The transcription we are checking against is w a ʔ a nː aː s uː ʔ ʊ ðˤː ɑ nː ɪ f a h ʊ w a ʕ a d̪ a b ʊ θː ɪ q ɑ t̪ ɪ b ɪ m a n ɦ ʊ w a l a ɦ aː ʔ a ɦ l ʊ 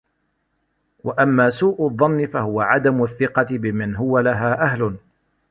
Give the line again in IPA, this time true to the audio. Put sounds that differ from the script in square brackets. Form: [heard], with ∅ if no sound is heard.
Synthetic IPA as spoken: w a ʔ a [mː] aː s uː ʔ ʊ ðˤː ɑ nː ɪ f a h ʊ w a ʕ a d̪ a [m] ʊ θː ɪ q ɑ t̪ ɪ b ɪ m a n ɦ ʊ w a l a ɦ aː ʔ a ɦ l ʊ